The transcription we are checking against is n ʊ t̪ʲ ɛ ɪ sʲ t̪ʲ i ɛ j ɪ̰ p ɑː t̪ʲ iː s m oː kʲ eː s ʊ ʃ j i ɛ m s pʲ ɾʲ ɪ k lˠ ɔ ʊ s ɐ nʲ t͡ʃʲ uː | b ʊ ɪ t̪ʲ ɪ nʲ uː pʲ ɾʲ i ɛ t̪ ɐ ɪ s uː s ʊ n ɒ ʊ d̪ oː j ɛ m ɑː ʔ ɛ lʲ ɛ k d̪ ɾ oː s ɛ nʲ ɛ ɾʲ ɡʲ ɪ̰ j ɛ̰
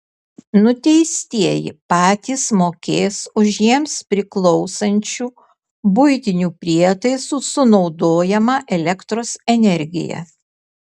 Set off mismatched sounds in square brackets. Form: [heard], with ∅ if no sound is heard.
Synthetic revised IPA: n ʊ t̪ʲ ɛ ɪ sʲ t̪ʲ i ɛ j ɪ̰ p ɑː t̪ʲ iː s m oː kʲ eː s ʊ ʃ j i ɛ m s pʲ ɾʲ ɪ k lˠ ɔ ʊ s ɐ nʲ t͡ʃʲ uː | b ʊ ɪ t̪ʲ ɪ nʲ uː pʲ ɾʲ i ɛ t̪ ɐ ɪ s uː s ʊ n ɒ ʊ d̪ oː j ɛ m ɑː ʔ ɛ lʲ ɛ k [t̪] ɾ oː s ɛ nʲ ɛ ɾʲ ɡʲ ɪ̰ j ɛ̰